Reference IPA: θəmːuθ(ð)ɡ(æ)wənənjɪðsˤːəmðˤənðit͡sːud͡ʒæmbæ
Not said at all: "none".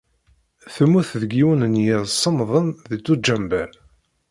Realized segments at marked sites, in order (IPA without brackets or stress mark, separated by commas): ð, i